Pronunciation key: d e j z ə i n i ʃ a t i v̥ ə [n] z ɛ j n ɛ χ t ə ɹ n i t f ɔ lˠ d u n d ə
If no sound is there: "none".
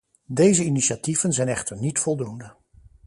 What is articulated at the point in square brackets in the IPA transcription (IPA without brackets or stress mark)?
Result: n